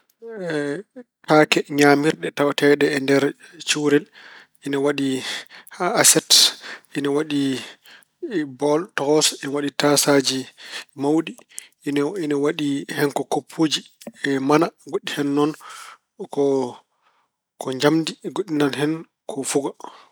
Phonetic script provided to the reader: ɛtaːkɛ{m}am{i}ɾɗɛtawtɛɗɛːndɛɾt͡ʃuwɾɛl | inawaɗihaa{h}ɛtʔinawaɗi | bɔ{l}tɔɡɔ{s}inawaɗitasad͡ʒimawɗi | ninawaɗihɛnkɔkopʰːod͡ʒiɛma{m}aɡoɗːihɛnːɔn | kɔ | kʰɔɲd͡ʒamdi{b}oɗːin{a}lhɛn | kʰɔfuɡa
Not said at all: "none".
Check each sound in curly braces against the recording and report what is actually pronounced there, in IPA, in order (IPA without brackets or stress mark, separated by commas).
ɲ, i, s, l, s, n, ɡ, a